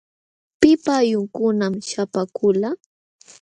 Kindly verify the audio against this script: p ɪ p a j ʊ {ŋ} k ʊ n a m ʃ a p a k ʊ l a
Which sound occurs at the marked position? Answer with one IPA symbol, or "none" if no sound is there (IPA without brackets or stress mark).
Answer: ŋ